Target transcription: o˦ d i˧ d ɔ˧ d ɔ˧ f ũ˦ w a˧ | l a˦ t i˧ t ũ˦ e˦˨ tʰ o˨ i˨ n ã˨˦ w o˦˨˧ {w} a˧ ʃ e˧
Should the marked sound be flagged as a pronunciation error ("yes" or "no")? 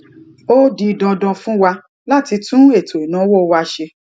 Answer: no